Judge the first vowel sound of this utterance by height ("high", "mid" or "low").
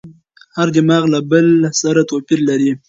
low